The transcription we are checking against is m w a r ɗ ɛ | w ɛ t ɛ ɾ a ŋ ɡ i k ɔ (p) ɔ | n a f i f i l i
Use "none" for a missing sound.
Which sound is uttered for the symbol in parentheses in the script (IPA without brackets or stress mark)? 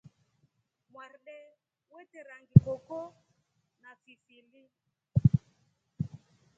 k